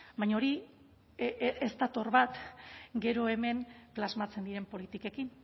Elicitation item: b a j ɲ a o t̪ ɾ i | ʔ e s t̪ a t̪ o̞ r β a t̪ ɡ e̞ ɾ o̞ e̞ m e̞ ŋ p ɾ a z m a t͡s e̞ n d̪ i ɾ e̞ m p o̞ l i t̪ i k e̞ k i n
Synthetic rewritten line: b a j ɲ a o ɾ i | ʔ e s t̪ a t̪ o̞ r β a t̪ ɡ e̞ ɾ o̞ e̞ m e̞ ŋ p l a z m a t͡s e̞ n d̪ i ɾ e̞ m p o̞ l i t̪ i k e̞ k i n